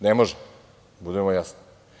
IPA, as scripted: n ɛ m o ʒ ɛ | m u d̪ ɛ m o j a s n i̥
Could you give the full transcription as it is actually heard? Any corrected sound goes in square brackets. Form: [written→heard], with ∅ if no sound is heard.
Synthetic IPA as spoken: n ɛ m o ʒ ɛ | [m→b] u d̪ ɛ m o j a s n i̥